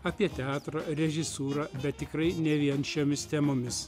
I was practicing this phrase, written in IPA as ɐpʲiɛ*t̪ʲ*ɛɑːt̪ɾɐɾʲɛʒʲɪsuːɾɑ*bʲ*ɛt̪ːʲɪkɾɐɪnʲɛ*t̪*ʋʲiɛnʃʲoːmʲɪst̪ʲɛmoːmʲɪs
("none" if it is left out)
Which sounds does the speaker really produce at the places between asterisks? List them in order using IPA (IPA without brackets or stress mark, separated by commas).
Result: t̪ʲ, bʲ, none